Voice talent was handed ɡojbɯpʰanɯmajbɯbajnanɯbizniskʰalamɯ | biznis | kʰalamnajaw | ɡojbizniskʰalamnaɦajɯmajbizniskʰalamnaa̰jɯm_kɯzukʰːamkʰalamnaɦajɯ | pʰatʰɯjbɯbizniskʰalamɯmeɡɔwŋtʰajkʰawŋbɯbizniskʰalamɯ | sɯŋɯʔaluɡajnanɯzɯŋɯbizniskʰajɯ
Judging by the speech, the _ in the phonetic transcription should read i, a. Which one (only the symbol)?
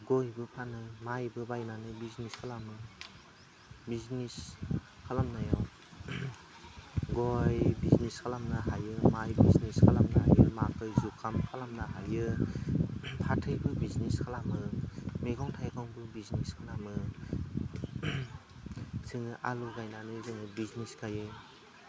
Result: a